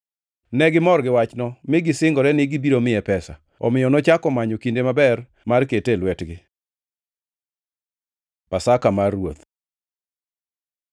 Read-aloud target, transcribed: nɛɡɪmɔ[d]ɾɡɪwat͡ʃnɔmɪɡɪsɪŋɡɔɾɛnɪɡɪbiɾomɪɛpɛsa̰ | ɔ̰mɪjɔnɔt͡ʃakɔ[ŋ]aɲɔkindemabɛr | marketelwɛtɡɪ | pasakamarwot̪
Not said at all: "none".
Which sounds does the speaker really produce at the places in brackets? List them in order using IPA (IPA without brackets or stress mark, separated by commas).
none, m